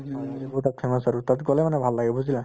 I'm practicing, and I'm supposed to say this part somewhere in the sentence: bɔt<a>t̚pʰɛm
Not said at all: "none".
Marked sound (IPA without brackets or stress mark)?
a